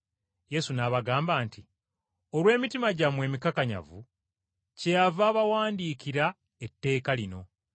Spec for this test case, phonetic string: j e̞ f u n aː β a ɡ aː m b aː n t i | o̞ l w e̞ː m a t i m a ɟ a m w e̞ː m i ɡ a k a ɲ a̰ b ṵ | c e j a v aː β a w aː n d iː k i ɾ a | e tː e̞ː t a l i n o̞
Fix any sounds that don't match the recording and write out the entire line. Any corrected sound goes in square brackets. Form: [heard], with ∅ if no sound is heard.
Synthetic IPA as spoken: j e̞ [s] u n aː β a ɡ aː m b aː n t i | o̞ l w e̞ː m [i] t i m a ɟ a m w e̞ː m i [k] a k a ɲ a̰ [v] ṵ | c e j a v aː β a w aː n d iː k i ɾ a | e tː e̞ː [k] a l i n o̞